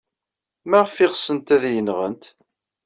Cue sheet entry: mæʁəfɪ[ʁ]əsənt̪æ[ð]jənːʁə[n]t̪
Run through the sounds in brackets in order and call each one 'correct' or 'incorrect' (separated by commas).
correct, correct, correct